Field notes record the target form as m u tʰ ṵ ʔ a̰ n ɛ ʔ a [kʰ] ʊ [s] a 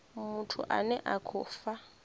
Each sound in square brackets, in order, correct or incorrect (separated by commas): correct, incorrect